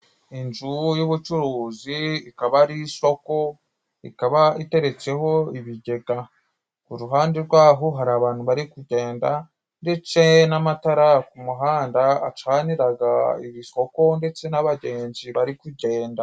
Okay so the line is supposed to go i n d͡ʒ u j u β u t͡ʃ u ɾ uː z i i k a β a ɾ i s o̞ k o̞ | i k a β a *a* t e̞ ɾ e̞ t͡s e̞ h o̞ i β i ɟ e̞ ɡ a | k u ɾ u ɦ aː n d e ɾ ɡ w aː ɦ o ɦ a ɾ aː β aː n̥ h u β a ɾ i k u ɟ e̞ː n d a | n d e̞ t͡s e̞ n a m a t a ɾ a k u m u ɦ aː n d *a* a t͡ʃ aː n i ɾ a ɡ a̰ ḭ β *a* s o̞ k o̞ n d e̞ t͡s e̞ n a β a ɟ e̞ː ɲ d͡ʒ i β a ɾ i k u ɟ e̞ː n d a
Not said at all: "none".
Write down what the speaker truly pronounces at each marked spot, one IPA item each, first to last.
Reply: i, a, i

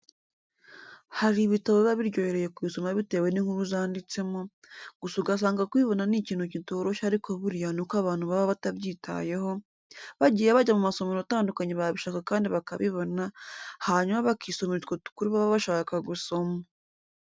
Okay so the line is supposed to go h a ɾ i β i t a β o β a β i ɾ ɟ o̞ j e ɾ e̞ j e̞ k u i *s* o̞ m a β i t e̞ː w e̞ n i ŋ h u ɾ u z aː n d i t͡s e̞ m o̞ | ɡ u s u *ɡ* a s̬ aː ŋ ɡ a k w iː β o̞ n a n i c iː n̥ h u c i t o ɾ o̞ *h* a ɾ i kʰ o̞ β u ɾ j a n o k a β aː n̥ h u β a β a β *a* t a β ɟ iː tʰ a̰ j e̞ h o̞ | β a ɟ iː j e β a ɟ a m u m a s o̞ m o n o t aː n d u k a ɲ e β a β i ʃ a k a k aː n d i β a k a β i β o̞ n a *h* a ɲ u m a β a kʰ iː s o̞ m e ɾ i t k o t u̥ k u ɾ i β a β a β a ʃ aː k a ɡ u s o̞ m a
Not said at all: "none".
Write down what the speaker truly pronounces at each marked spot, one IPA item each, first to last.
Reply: s, ɡ, ʃ, a, h

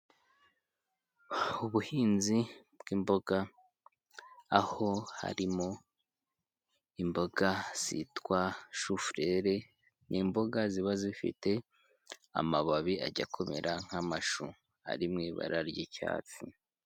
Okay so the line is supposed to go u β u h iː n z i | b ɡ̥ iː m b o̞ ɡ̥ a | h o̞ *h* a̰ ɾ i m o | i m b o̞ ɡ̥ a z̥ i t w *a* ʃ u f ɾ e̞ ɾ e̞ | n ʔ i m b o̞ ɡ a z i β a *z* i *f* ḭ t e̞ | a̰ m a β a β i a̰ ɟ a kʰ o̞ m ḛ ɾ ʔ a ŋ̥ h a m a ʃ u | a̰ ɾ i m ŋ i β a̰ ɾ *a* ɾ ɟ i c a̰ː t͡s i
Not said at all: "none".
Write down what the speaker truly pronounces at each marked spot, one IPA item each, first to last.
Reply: h, a, z, f, a

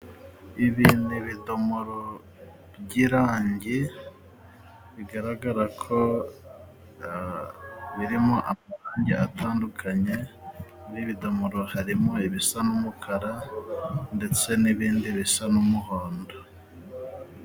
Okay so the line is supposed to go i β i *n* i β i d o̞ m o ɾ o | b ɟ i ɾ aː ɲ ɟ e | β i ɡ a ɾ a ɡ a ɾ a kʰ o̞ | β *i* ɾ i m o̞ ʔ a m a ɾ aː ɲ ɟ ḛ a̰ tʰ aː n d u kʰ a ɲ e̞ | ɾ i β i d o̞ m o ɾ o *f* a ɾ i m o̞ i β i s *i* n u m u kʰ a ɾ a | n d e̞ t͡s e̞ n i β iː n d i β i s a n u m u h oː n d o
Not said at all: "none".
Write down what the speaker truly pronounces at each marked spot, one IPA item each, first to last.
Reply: n, i, h, a

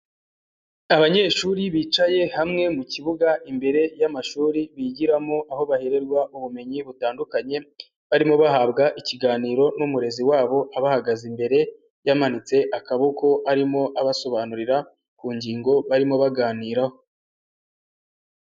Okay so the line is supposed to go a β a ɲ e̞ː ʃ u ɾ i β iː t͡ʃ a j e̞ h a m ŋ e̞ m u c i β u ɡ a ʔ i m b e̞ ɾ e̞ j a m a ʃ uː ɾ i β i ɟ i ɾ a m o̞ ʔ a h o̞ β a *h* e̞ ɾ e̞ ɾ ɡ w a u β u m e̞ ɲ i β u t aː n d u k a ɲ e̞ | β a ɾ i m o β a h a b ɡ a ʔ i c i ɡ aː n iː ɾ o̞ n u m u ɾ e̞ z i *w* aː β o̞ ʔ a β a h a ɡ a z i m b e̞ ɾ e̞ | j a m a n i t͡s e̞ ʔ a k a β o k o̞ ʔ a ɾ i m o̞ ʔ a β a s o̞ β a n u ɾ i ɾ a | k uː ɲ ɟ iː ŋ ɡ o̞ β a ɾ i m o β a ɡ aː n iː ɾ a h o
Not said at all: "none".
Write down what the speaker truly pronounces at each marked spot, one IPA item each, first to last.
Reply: h, w

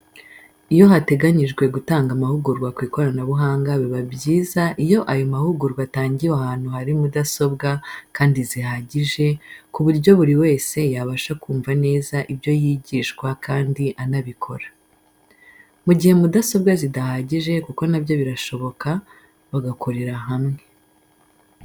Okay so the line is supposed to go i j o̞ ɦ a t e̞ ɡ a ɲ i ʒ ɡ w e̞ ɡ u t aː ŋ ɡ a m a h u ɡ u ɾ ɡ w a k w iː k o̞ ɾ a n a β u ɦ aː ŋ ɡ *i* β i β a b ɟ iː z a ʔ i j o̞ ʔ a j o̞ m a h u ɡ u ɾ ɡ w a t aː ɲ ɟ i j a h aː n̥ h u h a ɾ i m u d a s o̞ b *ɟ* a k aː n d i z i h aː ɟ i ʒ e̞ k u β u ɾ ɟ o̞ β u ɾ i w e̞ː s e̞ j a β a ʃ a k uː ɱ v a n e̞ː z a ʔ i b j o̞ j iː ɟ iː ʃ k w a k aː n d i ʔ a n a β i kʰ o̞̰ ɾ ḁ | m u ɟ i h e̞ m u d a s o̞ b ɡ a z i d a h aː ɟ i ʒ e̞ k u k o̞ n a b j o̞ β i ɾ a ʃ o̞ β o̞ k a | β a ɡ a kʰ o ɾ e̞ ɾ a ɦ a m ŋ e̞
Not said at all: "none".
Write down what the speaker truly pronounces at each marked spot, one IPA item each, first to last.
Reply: a, ɡ

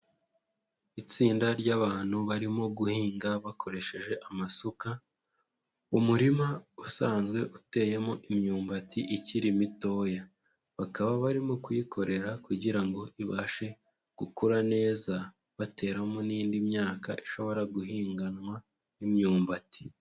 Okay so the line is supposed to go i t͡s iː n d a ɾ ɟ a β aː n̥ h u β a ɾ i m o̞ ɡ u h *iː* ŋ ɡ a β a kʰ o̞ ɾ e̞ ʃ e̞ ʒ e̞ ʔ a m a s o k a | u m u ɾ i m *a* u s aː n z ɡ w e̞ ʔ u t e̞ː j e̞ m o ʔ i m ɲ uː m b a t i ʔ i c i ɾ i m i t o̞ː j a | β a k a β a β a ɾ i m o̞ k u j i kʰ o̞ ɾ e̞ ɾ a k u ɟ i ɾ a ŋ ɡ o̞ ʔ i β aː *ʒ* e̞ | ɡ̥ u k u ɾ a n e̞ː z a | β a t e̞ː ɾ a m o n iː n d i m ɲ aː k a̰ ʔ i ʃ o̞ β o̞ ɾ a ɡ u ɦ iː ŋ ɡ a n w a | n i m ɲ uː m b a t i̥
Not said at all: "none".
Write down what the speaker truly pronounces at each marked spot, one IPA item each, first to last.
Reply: iː, a, ʃ

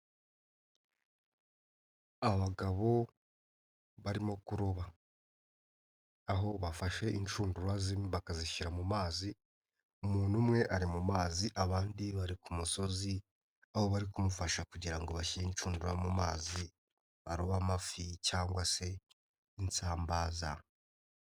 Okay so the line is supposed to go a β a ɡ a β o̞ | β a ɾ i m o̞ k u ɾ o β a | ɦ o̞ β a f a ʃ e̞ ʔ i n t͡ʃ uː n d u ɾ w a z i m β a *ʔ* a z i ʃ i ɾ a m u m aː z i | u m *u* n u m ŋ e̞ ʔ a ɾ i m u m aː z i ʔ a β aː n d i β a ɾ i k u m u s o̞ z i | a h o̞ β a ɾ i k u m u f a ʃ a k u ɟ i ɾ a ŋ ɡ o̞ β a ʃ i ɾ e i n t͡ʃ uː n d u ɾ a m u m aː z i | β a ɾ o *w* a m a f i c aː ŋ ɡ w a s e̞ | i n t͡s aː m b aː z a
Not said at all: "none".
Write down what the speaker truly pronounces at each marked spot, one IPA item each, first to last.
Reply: k, uː, β

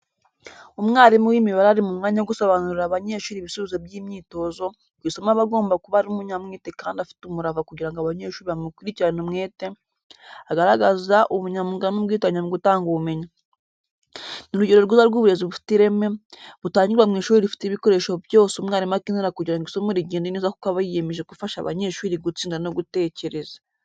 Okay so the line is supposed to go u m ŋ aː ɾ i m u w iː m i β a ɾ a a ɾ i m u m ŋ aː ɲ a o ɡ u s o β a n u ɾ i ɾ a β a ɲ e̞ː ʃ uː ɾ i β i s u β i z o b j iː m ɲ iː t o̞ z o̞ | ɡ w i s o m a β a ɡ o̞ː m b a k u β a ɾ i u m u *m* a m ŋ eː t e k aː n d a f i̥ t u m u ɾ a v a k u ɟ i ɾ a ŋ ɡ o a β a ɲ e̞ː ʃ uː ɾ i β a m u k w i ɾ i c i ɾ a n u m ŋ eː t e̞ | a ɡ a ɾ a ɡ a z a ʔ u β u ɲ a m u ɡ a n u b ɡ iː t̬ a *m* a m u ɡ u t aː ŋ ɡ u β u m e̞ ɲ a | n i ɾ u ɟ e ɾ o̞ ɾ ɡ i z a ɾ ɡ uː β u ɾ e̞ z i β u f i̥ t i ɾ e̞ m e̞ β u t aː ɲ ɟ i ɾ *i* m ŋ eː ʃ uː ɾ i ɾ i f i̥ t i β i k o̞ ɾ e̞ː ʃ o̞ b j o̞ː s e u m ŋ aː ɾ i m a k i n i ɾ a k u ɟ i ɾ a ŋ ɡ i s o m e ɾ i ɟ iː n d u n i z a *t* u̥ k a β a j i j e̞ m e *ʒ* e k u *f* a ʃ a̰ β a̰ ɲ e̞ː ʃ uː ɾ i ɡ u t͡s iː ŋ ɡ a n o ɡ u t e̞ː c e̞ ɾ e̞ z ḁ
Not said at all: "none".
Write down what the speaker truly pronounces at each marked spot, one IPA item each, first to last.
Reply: ɲ, ɲ, a, k, ʒ, f

